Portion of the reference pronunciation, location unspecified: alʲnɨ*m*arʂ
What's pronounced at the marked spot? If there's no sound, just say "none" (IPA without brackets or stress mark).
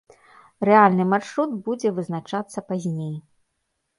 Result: m